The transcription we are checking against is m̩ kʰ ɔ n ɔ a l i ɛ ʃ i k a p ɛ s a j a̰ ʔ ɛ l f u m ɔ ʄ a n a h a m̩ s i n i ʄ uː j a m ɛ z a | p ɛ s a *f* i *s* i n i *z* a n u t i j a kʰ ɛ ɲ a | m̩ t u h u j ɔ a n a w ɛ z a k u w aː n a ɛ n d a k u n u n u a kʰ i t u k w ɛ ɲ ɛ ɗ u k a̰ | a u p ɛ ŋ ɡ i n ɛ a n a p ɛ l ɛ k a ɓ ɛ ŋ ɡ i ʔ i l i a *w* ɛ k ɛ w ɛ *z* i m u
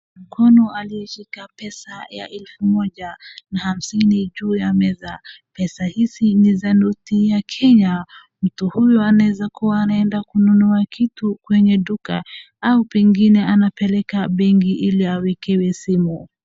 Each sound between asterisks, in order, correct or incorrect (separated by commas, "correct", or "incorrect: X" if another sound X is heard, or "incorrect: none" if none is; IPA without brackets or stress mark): incorrect: h, correct, correct, correct, incorrect: s